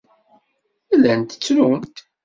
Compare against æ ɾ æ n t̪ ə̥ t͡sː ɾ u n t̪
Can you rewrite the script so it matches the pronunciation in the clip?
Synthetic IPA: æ l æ n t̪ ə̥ t͡sː ɾ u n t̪